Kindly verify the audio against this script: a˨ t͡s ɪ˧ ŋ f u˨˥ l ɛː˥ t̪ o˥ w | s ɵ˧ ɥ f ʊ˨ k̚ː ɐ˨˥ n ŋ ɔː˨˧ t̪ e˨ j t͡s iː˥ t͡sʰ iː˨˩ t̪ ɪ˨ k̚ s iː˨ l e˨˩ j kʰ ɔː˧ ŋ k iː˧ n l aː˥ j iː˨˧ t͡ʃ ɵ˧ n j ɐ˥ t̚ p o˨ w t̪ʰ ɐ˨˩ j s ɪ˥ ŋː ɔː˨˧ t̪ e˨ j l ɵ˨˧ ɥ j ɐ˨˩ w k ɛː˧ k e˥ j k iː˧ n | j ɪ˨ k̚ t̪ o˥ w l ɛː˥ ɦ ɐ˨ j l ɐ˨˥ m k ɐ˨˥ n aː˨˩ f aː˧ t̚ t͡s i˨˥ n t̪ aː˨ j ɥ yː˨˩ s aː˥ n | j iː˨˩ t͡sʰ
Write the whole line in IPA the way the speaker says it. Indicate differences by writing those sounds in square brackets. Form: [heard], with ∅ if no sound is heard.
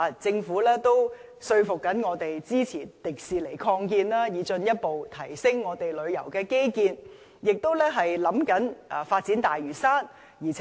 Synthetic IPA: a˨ t͡s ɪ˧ ŋ f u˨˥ l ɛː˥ t̪ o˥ w | s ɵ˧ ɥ f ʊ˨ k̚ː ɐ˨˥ n ŋ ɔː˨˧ t̪ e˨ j t͡s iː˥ t͡sʰ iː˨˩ t̪ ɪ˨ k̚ s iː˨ l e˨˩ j kʰ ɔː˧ ŋ k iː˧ n l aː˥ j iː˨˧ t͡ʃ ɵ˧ n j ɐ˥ t̚ p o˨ w t̪ʰ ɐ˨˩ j s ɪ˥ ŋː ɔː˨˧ t̪ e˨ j l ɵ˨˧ ɥ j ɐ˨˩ w k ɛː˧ k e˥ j k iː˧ n | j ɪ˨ k̚ t̪ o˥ w l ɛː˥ ɦ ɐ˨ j l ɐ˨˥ m k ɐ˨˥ n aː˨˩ f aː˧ t̚ t͡s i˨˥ n t̪ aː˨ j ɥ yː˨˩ s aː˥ n | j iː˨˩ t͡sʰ